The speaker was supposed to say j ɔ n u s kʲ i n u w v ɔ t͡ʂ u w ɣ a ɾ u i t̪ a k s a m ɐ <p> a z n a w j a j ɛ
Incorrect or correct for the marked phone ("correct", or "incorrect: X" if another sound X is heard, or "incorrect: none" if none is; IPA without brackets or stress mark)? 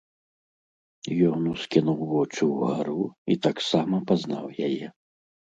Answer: correct